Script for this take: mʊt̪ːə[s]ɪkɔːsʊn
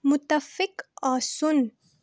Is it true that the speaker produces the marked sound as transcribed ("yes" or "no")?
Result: no